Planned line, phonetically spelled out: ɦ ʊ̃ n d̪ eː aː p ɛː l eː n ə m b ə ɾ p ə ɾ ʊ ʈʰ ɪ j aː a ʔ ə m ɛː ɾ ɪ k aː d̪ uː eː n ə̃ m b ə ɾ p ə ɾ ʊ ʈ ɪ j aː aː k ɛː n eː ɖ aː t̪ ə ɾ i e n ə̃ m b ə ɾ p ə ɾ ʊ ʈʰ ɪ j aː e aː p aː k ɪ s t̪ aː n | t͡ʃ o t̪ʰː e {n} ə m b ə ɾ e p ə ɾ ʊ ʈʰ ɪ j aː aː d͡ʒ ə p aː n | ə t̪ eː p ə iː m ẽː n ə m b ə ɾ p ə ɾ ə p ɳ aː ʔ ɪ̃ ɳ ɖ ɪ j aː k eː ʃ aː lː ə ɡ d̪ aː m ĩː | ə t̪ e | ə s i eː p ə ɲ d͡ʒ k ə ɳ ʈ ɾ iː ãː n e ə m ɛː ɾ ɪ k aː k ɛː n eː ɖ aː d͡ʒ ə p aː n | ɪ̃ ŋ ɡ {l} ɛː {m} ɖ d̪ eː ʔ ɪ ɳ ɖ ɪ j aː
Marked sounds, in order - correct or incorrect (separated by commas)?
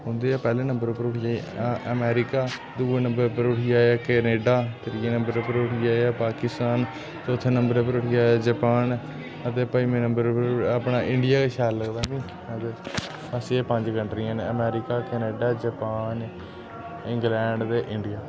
correct, correct, incorrect